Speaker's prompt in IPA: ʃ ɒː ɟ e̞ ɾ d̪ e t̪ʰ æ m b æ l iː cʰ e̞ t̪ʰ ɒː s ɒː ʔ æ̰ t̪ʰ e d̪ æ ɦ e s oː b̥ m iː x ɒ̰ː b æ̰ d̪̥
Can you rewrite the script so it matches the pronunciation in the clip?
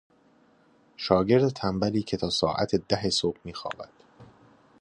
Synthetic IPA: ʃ ɒː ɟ e̞ ɾ d̪ e t̪ʰ æ m b æ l iː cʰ e̞ t̪ʰ ɒː s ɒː ʔ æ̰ t̪ʰ e d̪ æ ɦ e s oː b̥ m iː x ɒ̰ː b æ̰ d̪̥